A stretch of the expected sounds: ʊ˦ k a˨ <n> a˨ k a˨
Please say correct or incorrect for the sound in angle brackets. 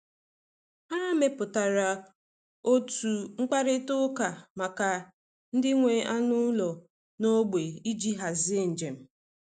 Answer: incorrect: m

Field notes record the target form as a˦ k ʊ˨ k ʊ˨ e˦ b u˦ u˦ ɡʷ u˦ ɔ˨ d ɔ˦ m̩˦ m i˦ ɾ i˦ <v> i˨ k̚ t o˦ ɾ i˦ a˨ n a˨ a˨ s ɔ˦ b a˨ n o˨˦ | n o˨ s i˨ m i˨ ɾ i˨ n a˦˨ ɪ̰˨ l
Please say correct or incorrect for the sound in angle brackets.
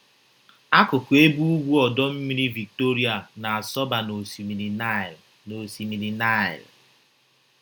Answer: correct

